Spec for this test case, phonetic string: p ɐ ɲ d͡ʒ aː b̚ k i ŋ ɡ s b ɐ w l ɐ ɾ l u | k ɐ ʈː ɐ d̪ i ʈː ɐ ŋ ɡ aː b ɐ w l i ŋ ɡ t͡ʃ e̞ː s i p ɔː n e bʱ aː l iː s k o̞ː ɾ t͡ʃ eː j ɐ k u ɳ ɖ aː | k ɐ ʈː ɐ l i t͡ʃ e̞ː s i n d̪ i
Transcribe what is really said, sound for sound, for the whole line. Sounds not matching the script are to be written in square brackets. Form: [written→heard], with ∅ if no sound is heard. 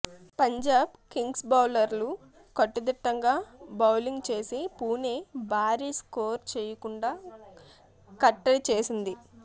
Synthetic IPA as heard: p ɐ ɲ d͡ʒ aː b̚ k i ŋ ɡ s b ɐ w l ɐ ɾ l u | k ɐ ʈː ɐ d̪ i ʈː ɐ ŋ ɡ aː b ɐ w l i ŋ ɡ t͡ʃ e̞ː s i p [ɔː→uː] n e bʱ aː [l→ɾ] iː s k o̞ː ɾ t͡ʃ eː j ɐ k u ɳ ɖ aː | k ɐ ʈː ɐ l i t͡ʃ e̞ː s i n d̪ i